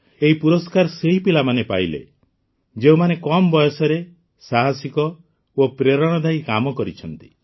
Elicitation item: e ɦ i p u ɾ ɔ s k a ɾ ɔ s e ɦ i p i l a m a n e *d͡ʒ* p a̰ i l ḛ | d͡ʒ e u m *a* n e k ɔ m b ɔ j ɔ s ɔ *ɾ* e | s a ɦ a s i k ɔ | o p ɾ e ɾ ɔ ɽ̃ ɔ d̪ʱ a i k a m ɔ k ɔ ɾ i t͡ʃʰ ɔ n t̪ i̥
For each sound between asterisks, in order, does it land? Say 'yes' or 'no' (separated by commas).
no, yes, yes